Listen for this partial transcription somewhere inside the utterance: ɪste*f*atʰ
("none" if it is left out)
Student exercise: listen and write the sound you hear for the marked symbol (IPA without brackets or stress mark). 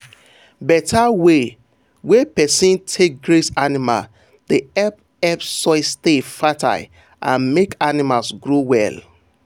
f